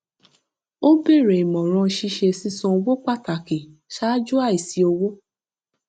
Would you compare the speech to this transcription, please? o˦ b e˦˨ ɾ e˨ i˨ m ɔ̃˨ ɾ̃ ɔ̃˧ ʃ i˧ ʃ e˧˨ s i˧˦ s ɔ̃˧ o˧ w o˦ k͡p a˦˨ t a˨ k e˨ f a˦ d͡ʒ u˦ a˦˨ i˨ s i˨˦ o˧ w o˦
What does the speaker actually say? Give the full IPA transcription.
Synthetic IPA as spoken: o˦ b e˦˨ ɾ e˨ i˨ m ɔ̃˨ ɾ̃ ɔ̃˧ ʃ i˧ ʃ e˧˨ s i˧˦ s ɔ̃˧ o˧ w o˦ k͡p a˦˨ t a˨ k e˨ ʃ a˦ d͡ʒ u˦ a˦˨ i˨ s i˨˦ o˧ w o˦